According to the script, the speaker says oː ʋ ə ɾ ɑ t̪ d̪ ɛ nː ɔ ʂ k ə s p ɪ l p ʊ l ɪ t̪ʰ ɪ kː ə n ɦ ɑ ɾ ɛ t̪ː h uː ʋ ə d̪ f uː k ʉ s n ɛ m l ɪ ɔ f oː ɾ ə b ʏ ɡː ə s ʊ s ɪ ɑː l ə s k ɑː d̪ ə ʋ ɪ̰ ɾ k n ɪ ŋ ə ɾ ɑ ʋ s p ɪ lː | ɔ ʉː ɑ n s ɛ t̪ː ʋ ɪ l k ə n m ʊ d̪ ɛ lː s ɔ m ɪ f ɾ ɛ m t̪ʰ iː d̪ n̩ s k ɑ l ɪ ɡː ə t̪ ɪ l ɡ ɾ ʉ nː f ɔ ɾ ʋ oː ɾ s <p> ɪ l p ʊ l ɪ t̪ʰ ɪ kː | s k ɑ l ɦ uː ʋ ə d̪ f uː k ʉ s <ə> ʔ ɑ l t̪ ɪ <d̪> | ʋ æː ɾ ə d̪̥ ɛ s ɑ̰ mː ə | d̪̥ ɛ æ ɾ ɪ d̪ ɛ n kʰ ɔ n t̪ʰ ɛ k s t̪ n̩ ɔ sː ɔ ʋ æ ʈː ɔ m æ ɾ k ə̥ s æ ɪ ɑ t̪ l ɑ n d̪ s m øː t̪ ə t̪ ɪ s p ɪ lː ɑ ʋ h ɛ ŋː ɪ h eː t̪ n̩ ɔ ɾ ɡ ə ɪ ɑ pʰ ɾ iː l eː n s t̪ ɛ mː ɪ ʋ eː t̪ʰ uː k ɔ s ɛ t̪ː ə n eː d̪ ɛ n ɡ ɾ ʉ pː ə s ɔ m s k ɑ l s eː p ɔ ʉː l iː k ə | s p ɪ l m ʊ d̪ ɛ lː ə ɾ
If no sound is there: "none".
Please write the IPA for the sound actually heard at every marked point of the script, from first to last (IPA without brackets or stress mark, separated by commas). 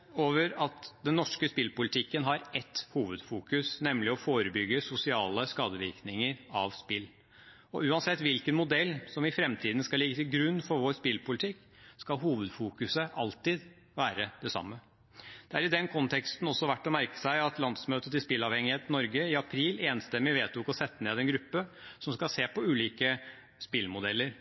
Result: p, ə, d̪